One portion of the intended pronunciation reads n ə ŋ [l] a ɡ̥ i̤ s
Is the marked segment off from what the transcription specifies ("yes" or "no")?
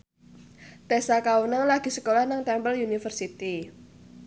no